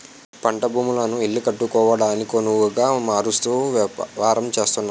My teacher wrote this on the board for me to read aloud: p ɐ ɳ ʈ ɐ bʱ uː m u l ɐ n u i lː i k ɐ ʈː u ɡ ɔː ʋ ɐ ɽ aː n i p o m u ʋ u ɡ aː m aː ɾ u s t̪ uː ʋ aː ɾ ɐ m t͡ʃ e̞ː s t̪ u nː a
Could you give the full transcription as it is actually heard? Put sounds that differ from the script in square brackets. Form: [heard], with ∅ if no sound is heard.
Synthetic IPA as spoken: p ɐ ɳ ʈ ɐ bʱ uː m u l ɐ n u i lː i k ɐ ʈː u [k] ɔː ʋ ɐ ɽ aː n i [k] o [n] u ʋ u ɡ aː m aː ɾ u s t̪ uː ʋ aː ɾ ɐ m t͡ʃ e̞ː s t̪ u nː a